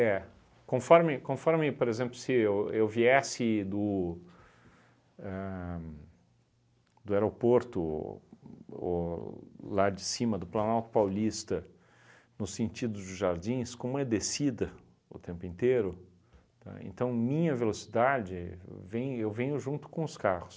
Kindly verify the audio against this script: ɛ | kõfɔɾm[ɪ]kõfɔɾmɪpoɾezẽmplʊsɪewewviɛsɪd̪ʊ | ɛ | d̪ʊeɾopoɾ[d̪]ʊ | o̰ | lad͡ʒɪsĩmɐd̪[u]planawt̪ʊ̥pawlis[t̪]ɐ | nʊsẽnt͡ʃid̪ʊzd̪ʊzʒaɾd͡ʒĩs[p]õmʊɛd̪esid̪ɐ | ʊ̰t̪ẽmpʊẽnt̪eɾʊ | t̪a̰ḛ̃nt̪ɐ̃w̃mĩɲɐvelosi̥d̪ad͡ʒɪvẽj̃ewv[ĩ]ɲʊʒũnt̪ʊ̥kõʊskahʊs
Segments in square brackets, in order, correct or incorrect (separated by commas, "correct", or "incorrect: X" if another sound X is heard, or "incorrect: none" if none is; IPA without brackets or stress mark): correct, incorrect: t̪, incorrect: ʊ, correct, incorrect: k, incorrect: ẽ